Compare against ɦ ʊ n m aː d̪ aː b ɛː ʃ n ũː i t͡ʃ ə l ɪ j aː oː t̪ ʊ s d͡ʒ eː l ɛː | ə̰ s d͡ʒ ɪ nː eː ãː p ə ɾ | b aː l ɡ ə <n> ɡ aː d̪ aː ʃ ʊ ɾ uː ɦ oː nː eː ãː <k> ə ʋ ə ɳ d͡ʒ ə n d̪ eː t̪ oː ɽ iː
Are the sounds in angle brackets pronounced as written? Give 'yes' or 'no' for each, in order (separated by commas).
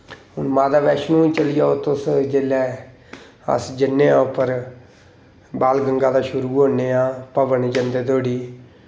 no, no